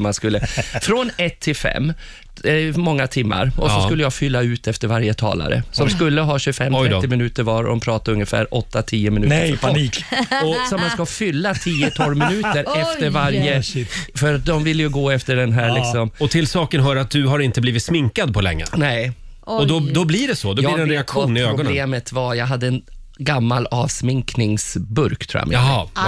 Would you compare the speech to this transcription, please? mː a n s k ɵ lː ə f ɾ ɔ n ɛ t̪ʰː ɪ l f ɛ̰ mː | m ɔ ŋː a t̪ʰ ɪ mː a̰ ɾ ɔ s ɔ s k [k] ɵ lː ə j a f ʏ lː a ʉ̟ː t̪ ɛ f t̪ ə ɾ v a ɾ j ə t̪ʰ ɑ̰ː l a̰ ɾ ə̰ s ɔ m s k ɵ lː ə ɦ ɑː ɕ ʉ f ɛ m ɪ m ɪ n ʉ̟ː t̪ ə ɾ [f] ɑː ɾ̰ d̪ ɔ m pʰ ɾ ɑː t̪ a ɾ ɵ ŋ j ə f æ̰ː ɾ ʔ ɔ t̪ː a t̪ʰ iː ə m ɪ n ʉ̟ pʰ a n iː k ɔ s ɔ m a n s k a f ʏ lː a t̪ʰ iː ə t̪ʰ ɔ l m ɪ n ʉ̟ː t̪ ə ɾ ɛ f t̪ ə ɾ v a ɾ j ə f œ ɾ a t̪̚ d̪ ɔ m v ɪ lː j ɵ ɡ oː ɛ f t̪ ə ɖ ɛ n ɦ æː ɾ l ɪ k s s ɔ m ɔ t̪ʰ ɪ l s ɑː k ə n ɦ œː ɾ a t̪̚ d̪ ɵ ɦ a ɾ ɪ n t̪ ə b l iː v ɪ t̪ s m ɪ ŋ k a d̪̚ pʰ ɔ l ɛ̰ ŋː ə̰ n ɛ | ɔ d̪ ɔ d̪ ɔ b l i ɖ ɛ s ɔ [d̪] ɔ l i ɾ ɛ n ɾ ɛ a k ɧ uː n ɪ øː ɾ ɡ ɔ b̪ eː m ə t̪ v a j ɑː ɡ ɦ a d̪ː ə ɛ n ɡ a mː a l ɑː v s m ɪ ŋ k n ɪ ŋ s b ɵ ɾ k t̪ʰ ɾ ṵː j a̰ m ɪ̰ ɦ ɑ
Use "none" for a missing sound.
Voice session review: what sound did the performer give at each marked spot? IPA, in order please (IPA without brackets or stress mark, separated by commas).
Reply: k, v, d̪